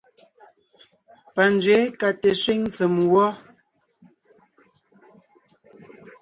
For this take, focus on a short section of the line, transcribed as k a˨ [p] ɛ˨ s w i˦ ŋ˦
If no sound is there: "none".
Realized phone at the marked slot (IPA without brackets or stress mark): t